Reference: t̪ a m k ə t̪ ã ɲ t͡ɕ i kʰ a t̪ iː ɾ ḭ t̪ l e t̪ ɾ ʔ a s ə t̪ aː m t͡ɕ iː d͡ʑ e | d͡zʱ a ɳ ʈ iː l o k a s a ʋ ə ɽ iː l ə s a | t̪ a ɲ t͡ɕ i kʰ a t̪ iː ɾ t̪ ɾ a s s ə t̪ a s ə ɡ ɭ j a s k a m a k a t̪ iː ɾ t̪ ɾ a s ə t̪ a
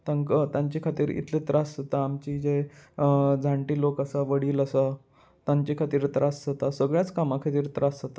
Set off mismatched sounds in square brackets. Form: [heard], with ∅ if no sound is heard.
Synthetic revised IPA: t̪ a [ŋ] k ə t̪ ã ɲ t͡ɕ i kʰ a t̪ iː ɾ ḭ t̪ l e t̪ ɾ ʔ a s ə t̪ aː m t͡ɕ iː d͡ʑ e | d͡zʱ a ɳ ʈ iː l o k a s a ʋ ə ɽ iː l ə s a | t̪ a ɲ t͡ɕ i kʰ a t̪ iː ɾ t̪ ɾ a s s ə t̪ a s ə ɡ ɭ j a [t͡s] k a m a [kʰ] a t̪ iː ɾ t̪ ɾ a s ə t̪ a